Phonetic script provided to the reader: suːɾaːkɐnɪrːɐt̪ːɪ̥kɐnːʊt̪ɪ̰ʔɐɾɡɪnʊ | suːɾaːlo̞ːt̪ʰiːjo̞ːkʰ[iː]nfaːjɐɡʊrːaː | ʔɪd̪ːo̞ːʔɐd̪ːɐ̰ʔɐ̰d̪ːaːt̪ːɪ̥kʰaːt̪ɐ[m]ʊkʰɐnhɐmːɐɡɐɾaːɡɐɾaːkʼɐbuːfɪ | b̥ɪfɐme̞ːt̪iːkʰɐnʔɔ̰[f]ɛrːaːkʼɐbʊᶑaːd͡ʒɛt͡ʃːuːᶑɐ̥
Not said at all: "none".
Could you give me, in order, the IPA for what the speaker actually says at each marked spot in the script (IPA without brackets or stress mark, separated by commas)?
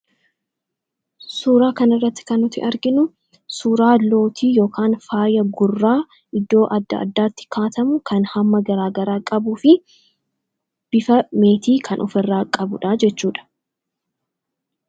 aː, m, f